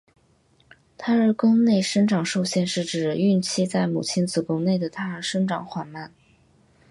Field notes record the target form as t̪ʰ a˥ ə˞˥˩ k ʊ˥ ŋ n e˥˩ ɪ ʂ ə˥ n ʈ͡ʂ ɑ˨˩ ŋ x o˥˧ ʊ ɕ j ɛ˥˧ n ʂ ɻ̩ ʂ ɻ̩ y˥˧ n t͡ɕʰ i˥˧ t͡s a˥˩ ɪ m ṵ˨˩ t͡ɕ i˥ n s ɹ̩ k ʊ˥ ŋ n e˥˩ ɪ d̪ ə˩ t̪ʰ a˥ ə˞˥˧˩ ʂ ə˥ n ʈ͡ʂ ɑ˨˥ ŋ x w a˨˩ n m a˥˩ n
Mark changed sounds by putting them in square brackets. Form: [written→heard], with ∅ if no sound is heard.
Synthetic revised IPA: t̪ʰ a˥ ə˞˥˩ k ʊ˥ ŋ n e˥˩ ɪ ʂ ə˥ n ʈ͡ʂ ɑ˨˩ ŋ [x→ʂ] o˥˧ ʊ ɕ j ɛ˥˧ n ʂ ɻ̩ [ʂ→ʈ͡ʂ] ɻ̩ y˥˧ n t͡ɕʰ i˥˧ t͡s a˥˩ ɪ m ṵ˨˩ [t͡ɕ→t͡ɕʰ] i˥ n [s→t͡s] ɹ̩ k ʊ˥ ŋ n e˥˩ ɪ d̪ ə˩ t̪ʰ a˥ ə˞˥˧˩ ʂ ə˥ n ʈ͡ʂ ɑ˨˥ ŋ x w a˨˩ n m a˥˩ n